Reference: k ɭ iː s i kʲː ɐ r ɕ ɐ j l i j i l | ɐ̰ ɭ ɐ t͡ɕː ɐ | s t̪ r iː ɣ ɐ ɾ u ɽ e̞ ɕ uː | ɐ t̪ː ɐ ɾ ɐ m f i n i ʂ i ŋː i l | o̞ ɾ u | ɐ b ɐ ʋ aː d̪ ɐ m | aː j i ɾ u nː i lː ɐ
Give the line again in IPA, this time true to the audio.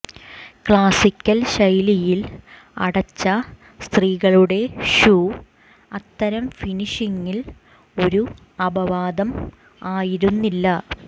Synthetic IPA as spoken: k ɭ aː s i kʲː ɐ l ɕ ɐ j l i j i l | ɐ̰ ɽ ɐ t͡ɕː ɐ | s t̪ r iː ɣ ɐ ɭ u ɽ e̞ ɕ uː | ɐ t̪ː ɐ ɾ ɐ m f i n i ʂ i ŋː i l | o̞ ɾ u | ɐ b ɐ ʋ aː d̪ ɐ m | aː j i ɾ u nː i lː ɐ